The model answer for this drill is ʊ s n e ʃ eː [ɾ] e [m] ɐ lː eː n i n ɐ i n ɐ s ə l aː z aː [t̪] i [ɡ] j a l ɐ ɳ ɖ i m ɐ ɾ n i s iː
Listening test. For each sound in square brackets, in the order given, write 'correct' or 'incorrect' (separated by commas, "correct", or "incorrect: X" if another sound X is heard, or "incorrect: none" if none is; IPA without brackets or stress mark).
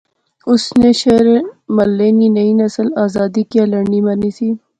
correct, correct, incorrect: d̪, incorrect: k